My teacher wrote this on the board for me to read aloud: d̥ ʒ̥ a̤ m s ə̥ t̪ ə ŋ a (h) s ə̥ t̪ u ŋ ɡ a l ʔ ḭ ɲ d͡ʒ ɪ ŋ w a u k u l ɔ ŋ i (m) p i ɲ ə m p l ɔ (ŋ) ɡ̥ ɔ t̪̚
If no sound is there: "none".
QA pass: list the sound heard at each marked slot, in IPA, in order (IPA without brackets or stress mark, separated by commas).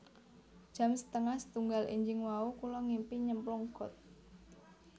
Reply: h, m, ŋ